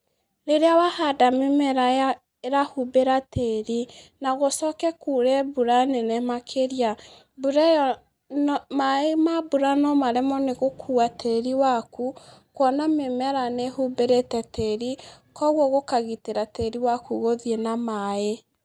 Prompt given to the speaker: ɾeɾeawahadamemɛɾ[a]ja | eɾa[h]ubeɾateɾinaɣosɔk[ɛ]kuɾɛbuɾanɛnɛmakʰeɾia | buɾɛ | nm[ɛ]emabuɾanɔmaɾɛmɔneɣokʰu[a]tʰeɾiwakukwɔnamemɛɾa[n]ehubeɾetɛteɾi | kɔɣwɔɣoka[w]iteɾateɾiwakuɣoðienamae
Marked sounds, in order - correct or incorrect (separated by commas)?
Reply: correct, correct, correct, incorrect, correct, correct, incorrect